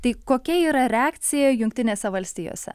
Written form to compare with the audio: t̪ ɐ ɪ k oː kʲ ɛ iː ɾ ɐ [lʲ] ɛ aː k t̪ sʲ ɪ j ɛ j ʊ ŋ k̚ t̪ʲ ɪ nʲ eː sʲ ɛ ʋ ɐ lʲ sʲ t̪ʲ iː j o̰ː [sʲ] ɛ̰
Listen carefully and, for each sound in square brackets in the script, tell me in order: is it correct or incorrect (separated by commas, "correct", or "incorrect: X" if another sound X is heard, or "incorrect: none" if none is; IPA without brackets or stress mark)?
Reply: incorrect: ɾʲ, correct